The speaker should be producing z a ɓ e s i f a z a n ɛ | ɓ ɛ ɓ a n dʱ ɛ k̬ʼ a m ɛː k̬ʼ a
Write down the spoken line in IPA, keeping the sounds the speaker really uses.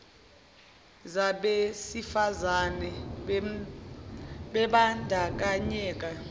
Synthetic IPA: z a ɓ e s i f a z a n ɛ | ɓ ɛ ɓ a n dʱ a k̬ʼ a ɲ ɛː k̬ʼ a